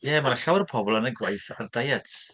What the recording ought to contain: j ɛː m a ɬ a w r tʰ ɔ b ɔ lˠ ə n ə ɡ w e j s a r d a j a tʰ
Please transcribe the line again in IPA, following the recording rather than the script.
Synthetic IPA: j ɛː m a ɬ a w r pʰ ɔ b ɔ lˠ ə n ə ɡ w a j θ a r d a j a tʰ